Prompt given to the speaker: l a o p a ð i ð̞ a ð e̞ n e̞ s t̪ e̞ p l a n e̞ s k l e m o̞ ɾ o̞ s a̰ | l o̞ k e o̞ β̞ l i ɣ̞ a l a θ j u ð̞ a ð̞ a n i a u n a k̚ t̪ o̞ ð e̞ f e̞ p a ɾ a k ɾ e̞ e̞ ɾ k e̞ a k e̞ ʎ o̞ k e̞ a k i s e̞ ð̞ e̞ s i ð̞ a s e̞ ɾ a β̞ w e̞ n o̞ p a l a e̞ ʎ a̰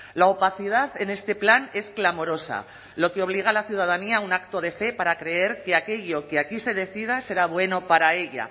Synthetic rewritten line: l a o p a θ i ð̞ a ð e̞ n e̞ s t̪ e̞ p l a n e̞ s k l a m o̞ ɾ o̞ s a̰ | l o̞ k e o̞ β̞ l i ɣ̞ a l a θ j u ð̞ a ð̞ a n i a u n a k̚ t̪ o̞ ð e̞ f e̞ p a ɾ a k ɾ e̞ e̞ ɾ k e̞ a k e̞ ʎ o̞ k e̞ a k i s e̞ ð̞ e̞ θ i ð̞ a s e̞ ɾ a β̞ w e̞ n o̞ p a ɾ a e̞ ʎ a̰